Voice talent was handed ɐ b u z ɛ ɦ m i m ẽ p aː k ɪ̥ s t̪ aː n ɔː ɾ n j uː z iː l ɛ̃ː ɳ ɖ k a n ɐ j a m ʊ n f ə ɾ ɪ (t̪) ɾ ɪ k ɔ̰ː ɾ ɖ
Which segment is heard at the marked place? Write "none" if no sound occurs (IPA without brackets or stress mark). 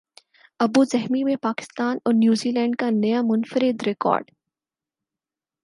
d̪